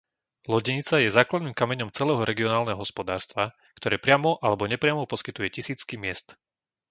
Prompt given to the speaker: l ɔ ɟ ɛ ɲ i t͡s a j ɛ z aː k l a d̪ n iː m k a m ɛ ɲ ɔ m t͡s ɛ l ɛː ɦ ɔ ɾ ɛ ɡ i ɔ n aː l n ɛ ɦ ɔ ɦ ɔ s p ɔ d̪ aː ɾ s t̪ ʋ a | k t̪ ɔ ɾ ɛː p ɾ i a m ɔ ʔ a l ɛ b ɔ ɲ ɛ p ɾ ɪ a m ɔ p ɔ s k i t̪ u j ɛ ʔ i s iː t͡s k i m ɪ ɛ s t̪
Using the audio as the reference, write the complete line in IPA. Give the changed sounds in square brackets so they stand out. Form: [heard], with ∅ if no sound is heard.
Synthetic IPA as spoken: l ɔ ɟ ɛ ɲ i t͡s a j ɛ z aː k l a d̪ n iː m k a m ɛ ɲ ɔ m t͡s ɛ l ɛː ɦ ɔ ɾ ɛ ɡ i ɔ n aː l n ɛ ɦ ɔ ɦ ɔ s p ɔ d̪ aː ɾ s t̪ ʋ a | k t̪ ɔ ɾ ɛː p ɾ [ɪ] a m ɔ ʔ a l ɛ b ɔ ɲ ɛ p ɾ ɪ a m ɔ p ɔ s k i t̪ u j ɛ [c] i s iː t͡s k i m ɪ ɛ s t̪